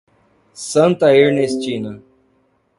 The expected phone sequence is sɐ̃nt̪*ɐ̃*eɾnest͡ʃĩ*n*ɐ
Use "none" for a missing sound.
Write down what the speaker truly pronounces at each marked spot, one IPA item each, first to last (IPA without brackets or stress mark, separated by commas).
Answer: ɐ, n